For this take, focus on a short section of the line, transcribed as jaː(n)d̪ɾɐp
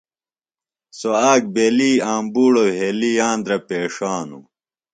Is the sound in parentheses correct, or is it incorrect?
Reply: correct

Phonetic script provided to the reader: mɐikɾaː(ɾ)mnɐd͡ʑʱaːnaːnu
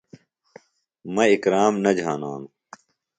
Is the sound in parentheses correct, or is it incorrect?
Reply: incorrect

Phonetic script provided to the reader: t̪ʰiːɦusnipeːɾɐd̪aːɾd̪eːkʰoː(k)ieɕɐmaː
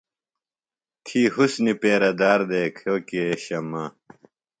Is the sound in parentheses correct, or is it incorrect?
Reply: correct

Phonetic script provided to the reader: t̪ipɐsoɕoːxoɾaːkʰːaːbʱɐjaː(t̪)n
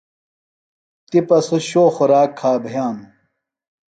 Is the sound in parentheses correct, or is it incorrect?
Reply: incorrect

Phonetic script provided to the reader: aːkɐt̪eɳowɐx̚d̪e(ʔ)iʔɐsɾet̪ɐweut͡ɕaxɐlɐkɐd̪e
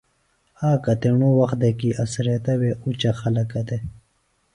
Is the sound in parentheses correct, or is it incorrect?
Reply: incorrect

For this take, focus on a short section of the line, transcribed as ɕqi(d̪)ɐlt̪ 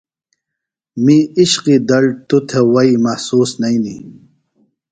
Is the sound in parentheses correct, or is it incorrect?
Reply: correct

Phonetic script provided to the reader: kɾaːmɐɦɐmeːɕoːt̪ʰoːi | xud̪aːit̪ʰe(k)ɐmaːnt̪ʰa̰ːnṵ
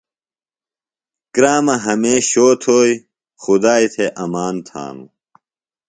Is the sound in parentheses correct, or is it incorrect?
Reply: incorrect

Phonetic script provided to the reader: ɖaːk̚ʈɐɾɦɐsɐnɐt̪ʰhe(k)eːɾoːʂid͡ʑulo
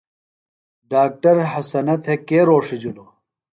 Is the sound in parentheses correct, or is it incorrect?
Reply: correct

